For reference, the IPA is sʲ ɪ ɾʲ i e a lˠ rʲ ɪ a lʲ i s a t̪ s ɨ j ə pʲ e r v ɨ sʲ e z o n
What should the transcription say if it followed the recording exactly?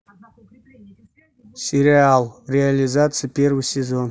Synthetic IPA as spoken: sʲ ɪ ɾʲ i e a lˠ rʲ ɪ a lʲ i z a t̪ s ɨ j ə pʲ e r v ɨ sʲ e z o n